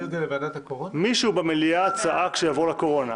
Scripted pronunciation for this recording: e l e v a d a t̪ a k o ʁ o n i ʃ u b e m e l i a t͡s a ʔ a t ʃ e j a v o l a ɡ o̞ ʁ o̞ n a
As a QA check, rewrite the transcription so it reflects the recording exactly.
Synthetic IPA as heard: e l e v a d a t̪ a k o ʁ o m i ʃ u b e m e l i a t͡s a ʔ a k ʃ e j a v o l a k o̞ ʁ o̞ n a